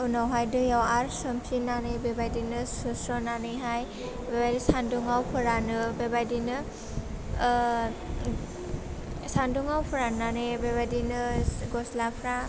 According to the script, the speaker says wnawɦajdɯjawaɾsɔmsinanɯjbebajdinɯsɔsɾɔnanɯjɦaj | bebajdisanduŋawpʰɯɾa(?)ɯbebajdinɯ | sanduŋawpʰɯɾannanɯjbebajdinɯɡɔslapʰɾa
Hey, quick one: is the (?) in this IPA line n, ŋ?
n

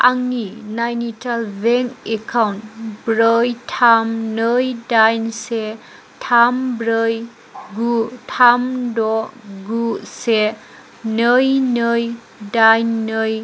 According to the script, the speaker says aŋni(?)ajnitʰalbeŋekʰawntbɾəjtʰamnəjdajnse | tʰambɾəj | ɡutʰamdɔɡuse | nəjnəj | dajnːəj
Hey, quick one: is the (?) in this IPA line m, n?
n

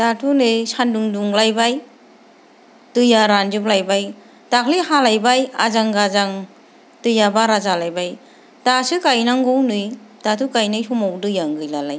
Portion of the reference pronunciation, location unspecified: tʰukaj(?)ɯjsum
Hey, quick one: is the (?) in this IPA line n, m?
n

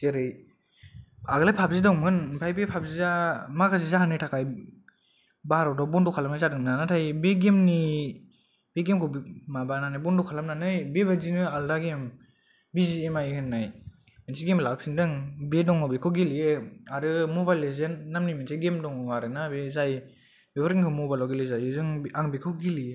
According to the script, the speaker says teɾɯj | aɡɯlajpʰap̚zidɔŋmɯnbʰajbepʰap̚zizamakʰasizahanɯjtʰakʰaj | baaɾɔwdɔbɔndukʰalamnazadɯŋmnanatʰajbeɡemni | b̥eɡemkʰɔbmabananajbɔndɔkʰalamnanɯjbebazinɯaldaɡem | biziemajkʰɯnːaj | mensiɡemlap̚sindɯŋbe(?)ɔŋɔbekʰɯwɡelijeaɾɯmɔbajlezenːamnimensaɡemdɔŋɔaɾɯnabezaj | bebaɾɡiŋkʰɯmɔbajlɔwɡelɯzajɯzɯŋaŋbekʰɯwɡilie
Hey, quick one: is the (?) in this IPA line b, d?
d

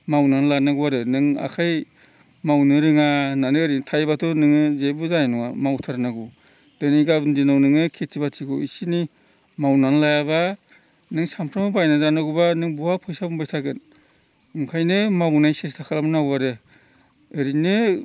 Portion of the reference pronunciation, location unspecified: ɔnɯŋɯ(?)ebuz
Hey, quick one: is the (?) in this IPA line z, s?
z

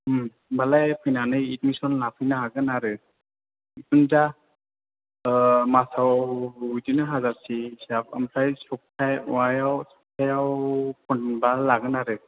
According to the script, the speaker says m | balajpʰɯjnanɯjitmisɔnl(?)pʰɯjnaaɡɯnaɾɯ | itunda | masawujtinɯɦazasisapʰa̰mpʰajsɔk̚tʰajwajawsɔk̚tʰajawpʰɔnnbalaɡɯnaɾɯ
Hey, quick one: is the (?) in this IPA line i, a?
a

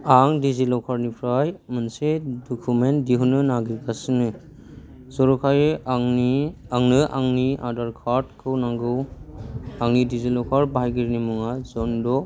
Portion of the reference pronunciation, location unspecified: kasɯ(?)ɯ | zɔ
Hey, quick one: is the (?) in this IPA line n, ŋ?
n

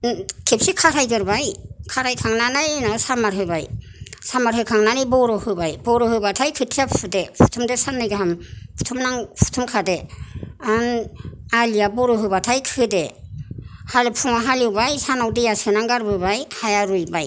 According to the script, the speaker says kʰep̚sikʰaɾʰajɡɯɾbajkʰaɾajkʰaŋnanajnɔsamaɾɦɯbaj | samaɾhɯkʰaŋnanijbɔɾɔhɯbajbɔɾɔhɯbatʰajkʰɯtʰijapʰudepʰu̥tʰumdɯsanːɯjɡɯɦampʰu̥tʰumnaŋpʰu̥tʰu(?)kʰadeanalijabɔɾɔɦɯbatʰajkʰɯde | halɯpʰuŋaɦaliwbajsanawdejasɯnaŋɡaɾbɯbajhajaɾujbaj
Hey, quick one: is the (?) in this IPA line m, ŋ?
m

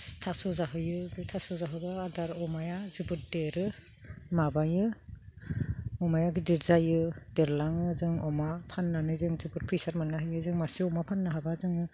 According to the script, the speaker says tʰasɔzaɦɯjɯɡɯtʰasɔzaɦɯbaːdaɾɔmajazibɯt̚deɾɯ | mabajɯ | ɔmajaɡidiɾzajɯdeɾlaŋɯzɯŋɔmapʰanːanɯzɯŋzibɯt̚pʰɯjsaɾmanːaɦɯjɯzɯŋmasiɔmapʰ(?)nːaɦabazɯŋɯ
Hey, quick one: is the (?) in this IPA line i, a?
a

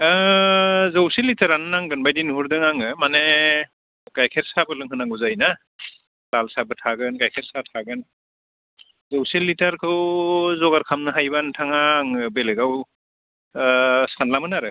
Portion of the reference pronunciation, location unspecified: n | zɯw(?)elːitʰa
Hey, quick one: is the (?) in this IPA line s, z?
s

